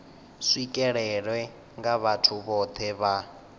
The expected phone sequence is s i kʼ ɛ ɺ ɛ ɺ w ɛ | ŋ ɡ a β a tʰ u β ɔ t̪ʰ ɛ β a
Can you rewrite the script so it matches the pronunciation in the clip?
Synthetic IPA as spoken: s i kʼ ɛ ɺ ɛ ɺ w ɛ | ŋ ɡ a β a tʰ u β ɔ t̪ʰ ɛ β a